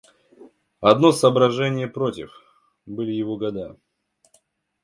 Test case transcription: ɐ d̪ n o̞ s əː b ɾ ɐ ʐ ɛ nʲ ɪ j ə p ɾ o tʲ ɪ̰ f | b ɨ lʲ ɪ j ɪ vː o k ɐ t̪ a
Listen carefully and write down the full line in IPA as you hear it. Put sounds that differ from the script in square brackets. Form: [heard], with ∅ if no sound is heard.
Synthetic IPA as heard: ɐ d̪ n o̞ s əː b ɾ ɐ ʐ ɛ nʲ ɪ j ə p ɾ o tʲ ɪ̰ f | b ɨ lʲ ɪ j ɪ [v] o [ɡ] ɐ [d̪] a